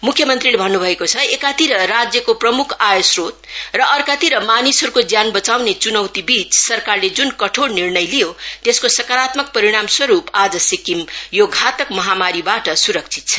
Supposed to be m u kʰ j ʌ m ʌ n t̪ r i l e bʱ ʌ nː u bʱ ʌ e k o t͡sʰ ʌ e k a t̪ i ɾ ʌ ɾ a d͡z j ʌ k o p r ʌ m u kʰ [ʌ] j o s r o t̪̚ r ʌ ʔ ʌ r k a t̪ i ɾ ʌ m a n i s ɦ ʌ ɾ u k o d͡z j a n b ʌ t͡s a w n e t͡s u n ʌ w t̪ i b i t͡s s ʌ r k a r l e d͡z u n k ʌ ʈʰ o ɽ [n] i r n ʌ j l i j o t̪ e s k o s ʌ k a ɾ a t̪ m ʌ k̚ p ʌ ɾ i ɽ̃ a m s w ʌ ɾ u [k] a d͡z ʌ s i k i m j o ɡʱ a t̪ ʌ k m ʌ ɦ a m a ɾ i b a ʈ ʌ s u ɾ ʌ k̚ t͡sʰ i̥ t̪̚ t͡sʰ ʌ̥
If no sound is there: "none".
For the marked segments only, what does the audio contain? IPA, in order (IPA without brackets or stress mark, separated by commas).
a, n, p